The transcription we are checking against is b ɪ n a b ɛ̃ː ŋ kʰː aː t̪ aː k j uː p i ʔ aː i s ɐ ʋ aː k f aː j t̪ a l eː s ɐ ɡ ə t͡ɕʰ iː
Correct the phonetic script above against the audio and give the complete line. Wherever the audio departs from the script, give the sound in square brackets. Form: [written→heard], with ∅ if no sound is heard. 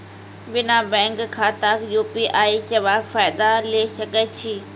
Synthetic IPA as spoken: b ɪ n a b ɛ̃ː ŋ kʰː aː t̪ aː k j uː p i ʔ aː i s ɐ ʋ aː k f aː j [t̪→d̪] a l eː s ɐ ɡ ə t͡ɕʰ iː